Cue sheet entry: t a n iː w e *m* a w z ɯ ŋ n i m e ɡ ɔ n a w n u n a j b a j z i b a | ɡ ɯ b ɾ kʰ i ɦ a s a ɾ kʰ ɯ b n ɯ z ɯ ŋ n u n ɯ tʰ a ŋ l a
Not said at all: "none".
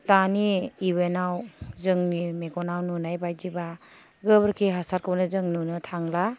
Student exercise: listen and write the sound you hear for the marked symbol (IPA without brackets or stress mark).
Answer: n